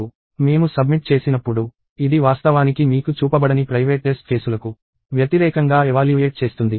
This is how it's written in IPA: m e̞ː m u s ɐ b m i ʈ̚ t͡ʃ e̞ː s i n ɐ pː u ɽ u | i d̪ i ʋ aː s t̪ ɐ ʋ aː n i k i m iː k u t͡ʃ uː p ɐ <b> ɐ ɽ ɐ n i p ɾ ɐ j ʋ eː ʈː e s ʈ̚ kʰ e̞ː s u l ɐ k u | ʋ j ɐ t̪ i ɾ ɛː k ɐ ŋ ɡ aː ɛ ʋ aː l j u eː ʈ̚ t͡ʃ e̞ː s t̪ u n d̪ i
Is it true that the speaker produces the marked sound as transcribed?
yes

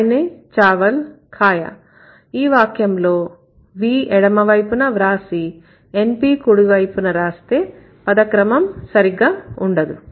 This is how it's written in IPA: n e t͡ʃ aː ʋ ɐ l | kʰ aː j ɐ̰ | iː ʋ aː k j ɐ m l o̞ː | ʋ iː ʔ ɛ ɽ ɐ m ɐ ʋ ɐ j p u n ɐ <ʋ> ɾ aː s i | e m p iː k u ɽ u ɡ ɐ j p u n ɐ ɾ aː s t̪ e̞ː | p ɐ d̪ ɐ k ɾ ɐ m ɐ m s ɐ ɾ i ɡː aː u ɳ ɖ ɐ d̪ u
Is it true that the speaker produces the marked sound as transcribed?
yes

